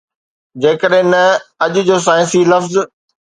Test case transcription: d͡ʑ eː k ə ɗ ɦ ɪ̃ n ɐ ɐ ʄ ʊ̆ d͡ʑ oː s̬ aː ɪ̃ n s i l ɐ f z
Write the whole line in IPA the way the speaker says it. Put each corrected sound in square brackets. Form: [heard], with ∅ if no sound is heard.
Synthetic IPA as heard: d͡ʑ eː k ə ɗ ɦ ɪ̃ n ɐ ɐ ʄ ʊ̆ d͡ʑ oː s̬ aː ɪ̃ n s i l ɐ f z